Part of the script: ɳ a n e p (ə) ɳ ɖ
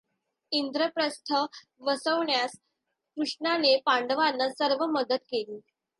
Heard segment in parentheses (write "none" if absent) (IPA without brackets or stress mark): a